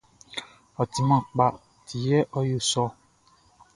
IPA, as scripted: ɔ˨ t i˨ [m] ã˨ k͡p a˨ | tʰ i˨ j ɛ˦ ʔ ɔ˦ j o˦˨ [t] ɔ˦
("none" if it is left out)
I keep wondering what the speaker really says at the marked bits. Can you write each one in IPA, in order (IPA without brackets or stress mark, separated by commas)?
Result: m, s